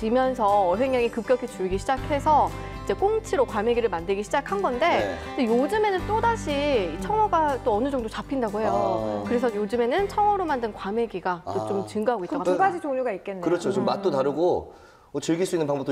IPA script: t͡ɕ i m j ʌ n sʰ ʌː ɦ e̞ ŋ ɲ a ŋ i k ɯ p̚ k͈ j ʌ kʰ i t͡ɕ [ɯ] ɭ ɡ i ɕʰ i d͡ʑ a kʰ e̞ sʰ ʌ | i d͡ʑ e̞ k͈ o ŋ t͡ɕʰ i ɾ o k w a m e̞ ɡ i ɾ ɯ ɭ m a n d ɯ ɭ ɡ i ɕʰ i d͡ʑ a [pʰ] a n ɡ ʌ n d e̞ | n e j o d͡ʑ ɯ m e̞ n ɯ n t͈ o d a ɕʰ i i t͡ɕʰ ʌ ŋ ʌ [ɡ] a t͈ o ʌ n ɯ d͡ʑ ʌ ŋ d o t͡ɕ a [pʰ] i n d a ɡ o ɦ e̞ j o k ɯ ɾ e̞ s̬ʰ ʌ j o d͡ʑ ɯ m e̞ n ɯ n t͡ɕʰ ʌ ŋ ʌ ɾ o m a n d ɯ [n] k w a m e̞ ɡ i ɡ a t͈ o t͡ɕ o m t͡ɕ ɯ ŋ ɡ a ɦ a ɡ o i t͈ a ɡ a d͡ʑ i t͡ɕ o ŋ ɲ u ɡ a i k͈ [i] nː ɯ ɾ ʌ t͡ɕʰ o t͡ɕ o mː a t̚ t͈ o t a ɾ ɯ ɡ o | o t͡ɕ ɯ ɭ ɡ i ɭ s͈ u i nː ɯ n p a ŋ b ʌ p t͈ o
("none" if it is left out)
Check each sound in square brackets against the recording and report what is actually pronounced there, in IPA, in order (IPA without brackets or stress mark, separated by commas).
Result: u, kʰ, ɡ, pʰ, n, e